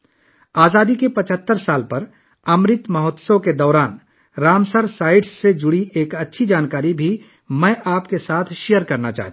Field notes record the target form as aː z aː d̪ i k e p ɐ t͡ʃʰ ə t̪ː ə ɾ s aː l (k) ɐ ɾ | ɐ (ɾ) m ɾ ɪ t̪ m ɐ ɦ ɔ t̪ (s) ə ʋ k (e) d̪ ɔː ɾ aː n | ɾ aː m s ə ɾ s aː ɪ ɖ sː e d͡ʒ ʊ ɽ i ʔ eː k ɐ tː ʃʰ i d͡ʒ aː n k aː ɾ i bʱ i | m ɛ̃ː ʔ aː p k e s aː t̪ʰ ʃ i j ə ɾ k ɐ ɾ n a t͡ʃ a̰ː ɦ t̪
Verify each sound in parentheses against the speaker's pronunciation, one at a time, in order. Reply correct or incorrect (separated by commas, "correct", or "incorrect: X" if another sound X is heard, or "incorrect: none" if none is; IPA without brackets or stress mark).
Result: incorrect: p, incorrect: none, correct, correct